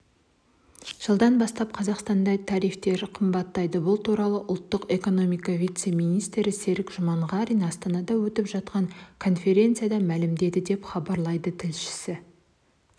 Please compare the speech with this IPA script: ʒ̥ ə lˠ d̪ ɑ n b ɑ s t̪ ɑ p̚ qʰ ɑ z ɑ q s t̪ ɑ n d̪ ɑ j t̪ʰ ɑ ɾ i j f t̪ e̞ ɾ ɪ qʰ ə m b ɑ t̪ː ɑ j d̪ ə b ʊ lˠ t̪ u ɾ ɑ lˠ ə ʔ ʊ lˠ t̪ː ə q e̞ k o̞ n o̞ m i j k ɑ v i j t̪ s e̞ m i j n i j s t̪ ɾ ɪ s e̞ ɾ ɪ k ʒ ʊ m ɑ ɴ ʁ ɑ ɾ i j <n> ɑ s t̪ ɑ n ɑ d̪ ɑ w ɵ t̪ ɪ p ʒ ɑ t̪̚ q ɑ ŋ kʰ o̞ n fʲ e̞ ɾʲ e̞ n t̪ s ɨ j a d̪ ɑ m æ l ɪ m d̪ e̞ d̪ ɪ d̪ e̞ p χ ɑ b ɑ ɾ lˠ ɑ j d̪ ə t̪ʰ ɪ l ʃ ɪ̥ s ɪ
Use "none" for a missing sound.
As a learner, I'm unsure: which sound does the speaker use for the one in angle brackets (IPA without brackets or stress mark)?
n